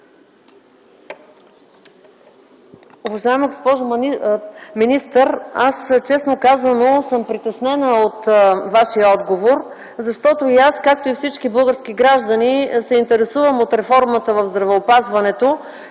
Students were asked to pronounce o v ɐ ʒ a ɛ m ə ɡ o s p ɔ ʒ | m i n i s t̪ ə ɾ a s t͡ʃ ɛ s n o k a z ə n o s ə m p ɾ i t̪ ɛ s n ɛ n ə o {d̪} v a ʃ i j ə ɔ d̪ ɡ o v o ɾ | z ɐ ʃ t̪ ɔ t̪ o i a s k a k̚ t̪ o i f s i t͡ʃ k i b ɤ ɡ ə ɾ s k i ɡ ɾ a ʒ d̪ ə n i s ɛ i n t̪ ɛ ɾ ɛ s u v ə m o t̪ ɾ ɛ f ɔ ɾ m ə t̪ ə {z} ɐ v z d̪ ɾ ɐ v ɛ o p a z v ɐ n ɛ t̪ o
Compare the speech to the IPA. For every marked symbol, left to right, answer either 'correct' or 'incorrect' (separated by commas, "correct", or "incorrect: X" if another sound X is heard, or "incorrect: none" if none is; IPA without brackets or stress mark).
incorrect: t̪, incorrect: v